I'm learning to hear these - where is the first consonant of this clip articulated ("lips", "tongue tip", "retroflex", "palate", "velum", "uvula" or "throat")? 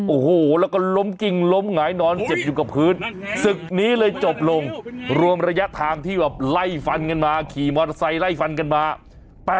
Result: throat